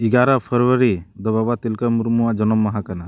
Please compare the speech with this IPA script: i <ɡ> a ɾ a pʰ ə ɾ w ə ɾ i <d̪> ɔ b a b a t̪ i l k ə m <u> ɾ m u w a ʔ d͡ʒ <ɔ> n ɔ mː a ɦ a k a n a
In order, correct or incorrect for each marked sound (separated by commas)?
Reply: correct, correct, correct, correct